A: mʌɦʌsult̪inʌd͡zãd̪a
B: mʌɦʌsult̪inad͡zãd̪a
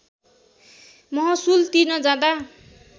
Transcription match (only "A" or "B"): A